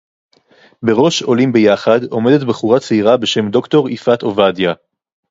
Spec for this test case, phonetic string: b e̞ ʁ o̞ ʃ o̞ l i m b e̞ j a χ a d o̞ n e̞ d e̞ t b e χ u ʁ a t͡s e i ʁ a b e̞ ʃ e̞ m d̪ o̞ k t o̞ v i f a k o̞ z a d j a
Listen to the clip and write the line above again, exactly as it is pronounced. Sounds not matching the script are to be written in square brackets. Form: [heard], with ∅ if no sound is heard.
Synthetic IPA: b e̞ ʁ o̞ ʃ o̞ l i m b e̞ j a χ a d o̞ [m] e̞ d e̞ t b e χ u ʁ a t͡s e i ʁ a b e̞ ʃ e̞ m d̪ o̞ k t o̞ [ʁ] i f a [t] o̞ [v] a d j a